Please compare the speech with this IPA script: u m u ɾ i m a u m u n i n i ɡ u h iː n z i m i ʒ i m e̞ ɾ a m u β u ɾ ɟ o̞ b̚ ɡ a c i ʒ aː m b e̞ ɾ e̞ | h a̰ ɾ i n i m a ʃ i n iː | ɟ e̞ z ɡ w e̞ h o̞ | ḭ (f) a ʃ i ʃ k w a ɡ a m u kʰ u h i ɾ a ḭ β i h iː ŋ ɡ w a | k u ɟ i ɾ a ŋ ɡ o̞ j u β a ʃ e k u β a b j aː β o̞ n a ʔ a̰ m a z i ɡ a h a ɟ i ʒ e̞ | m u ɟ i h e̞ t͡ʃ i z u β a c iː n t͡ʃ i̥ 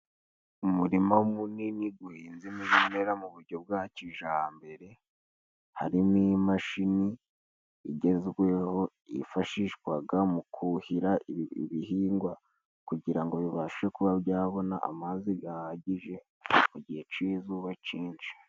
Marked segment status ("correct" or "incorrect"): correct